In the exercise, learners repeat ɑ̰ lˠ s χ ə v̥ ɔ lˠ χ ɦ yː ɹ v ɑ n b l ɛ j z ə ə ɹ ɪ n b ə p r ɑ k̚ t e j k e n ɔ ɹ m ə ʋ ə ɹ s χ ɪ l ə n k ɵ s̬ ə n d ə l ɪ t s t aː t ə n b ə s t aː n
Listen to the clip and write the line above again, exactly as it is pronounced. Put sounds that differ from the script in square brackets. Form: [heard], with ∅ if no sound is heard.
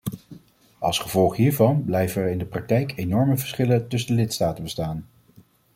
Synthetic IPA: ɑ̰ lˠ s χ ə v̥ ɔ lˠ χ ɦ [iː] ɹ v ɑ n b l ɛ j [v] ə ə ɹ ɪ n [d] ə p r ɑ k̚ t [ɛ] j k e n ɔ ɹ m ə [v] ə ɹ s χ ɪ l ə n [t] ɵ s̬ ə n d ə l ɪ t s t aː t ə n b ə s t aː n